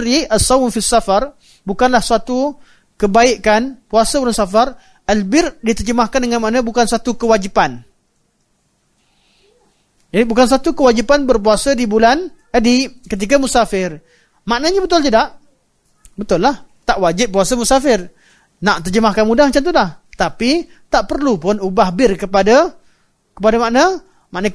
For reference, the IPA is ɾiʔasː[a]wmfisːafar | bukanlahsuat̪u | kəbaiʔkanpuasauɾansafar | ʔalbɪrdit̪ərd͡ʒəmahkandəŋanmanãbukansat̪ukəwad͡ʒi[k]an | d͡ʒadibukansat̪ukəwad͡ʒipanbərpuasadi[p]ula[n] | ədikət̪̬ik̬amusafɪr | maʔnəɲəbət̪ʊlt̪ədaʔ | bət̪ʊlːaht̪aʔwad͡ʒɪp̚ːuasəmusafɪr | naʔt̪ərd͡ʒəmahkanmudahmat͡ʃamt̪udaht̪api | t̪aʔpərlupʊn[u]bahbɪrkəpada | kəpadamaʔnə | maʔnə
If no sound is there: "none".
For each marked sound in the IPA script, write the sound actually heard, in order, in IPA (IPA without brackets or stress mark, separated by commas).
a, p, b, n, u